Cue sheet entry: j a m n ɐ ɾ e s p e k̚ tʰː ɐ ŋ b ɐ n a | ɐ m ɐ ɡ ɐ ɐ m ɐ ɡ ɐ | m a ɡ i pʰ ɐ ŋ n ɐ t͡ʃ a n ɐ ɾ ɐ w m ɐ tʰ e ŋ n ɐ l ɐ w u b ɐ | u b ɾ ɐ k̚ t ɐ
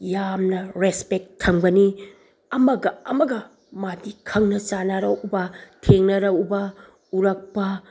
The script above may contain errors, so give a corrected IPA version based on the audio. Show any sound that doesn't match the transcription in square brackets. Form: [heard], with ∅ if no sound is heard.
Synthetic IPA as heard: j a m n ɐ ɾ e s p e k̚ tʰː ɐ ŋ b ɐ n [i] | ɐ m ɐ ɡ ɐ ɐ m ɐ ɡ ɐ | m a [d] i [kʰ] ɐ ŋ n ɐ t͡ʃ a n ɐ ɾ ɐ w [b] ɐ tʰ e ŋ n ɐ [ɾ] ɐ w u b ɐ | u [∅] ɾ ɐ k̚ [p] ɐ